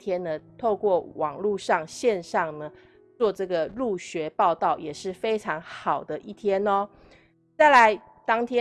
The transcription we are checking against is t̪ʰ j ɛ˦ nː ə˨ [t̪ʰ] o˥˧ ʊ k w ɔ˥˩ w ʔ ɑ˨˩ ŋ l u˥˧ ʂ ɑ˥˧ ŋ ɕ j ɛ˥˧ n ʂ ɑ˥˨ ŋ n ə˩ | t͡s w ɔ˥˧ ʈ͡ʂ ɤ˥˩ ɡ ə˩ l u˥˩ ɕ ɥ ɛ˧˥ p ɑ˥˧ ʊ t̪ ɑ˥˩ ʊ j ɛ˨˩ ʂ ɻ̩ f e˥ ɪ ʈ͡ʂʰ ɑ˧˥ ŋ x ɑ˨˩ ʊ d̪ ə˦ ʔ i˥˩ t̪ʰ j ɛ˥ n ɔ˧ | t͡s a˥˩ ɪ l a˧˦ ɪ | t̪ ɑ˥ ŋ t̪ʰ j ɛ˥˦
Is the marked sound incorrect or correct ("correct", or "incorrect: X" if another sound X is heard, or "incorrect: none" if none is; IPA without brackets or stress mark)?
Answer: correct